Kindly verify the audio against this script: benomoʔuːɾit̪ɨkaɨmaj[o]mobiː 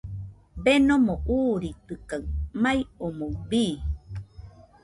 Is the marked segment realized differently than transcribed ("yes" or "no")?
no